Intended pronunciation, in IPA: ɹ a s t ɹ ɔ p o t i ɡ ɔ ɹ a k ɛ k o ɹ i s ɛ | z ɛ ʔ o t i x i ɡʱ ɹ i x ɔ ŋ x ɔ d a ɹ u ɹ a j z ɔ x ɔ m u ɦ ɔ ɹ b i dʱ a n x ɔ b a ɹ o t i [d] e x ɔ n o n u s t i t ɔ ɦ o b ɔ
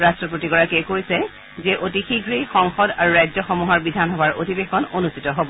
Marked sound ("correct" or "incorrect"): incorrect